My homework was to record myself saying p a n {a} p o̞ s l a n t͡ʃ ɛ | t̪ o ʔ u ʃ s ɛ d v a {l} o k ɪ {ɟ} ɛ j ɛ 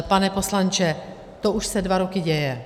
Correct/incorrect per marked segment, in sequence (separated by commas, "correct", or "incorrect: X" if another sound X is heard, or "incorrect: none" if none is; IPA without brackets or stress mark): incorrect: ɛ, incorrect: ɾ, correct